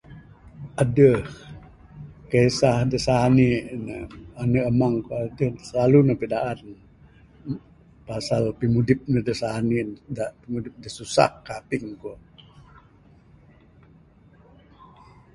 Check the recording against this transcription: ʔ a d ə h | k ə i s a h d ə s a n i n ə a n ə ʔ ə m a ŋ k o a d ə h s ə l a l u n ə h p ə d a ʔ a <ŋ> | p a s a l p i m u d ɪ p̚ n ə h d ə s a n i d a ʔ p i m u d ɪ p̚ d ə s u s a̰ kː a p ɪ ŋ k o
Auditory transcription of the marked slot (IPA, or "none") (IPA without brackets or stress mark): n